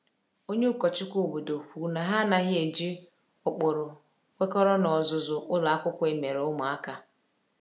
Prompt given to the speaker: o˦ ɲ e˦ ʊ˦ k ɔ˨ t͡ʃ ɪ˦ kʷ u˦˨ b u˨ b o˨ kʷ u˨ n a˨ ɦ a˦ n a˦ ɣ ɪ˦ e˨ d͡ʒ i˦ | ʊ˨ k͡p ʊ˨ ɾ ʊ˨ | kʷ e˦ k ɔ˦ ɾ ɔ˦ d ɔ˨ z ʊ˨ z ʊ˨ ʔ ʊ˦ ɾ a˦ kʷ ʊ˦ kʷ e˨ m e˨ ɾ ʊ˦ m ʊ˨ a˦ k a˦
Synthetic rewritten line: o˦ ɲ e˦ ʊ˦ k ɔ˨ t͡ʃ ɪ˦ kʷ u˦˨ b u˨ d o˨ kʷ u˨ n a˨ ɦ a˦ n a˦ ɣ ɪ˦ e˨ d͡ʒ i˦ | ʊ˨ k͡p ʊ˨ ɾ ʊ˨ | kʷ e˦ k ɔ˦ ɾ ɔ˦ n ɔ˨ z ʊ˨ z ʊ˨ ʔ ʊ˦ l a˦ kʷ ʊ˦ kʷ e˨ m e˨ ɾ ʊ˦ m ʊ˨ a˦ k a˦